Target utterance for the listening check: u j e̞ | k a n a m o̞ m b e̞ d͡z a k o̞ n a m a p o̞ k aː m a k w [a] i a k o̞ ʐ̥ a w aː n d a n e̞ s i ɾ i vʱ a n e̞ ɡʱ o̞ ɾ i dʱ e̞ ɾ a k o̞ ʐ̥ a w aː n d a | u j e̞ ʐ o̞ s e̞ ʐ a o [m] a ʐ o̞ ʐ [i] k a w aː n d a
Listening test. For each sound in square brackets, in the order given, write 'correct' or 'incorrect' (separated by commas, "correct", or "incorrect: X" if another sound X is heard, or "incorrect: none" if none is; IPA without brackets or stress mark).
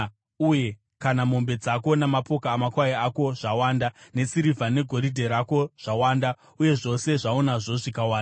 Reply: correct, incorrect: n, correct